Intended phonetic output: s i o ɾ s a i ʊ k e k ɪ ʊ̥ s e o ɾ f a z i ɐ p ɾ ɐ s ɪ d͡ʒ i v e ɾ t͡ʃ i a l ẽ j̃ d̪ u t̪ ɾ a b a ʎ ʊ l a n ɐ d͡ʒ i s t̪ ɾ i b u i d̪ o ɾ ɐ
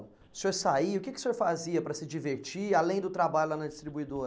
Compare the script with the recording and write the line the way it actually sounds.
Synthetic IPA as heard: s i o ɾ s a i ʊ k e k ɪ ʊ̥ s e o ɾ f a z i ɐ p ɾ ɐ s ɪ d͡ʒ i v e ɾ t͡ʃ i a l ẽ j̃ d̪ ʊ t̪ ɾ a b a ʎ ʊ l a n ɐ d͡ʒ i s t̪ ɾ i b u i d̪ o ɾ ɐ